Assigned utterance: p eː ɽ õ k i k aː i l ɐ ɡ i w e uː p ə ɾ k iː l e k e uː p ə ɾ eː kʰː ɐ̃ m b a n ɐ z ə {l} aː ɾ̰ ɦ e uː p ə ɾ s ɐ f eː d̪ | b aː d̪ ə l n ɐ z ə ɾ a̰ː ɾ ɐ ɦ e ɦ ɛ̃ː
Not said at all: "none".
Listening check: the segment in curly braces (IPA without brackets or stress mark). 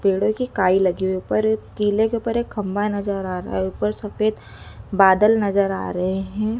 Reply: ɾ